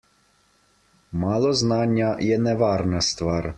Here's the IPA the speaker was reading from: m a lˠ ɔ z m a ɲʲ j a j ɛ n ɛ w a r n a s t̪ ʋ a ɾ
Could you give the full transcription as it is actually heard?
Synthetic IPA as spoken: m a lˠ ɔ z n a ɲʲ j a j ɛ n ɛ ʋ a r n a s t̪ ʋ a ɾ

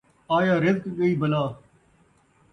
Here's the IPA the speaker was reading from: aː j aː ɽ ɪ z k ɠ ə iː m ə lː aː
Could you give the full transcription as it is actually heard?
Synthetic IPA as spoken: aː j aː ɾ ɪ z k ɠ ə iː b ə l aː

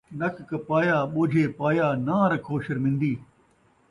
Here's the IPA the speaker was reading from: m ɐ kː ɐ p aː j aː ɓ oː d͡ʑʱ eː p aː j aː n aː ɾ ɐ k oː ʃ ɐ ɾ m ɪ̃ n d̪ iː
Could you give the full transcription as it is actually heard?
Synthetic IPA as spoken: n ɐ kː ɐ p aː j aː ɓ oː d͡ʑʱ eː p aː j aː n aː ɾ ɐ kʰ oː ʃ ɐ ɾ m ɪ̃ n d̪ iː

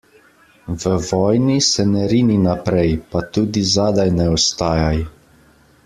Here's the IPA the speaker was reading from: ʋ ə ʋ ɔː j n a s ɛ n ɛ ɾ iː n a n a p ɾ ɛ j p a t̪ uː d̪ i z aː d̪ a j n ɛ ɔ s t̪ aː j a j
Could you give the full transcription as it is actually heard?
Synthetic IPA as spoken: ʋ ə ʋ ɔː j n i s ɛ n ɛ ɾ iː n i n a p ɾ ɛ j p a t̪ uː d̪ i z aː d̪ a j n ɛ ɔ s t̪ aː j a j

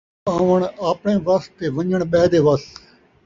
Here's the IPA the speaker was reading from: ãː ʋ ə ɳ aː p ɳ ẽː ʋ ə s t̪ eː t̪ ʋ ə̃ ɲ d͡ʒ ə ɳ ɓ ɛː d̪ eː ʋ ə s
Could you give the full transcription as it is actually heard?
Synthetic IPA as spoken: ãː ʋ ə ɳ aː p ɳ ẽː ʋ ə s t̪ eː ʋ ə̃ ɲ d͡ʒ ə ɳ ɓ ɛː d̪ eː ʋ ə s

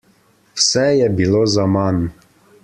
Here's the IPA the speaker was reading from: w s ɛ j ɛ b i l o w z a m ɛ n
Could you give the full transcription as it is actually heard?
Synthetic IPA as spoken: w s ɛ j ɛ b i l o z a m a n

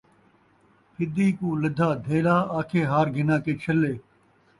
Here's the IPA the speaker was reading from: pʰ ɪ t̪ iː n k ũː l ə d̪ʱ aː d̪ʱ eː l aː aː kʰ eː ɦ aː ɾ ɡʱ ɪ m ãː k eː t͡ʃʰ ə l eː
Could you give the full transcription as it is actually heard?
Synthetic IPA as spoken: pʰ ɪ d̪ iː k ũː l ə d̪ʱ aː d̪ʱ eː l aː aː kʰ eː ɦ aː ɾ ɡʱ ɪ n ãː k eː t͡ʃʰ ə l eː

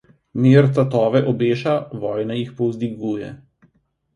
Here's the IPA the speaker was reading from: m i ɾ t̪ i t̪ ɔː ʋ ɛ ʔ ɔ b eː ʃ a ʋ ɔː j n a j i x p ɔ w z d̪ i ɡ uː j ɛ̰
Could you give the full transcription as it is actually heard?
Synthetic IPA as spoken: m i ɾ t̪ a t̪ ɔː ʋ ɛ ʔ ɔ b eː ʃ a ʋ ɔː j n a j i x p ɔ w z d̪ i ɡ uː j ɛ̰

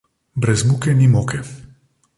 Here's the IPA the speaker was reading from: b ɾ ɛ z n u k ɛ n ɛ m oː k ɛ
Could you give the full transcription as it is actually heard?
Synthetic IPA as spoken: b ɾ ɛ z m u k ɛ n i m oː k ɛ

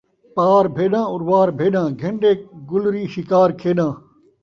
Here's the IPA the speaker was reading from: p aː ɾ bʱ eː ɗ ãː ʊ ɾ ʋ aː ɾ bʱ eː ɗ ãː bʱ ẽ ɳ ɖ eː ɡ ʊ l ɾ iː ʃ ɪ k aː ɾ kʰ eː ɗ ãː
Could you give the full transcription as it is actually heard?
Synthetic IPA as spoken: p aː ɾ bʱ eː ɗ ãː ʊ ɾ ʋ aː ɾ bʱ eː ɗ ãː ɡʱ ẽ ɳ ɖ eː ɡ ʊ l ɾ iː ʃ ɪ k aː ɾ kʰ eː ɗ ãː

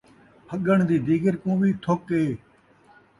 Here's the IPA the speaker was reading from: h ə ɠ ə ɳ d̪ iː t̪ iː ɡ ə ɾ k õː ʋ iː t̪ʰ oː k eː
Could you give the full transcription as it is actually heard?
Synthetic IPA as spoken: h ə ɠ ə ɳ d̪ iː d̪ iː ɡ ə ɾ k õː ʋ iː t̪ʰ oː k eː

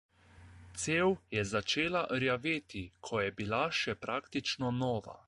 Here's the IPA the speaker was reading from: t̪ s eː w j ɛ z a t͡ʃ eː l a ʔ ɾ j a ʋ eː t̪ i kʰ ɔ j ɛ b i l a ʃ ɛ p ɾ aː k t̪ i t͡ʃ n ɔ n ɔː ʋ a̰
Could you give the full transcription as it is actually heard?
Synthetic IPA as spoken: t̪ s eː w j ɛ z a t͡ʃ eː l a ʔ ɾ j a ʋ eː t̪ i kʰ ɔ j ɛ b i l a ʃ ɛ p ɾ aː k t̪ i t͡ʃ n ɔ n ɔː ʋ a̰

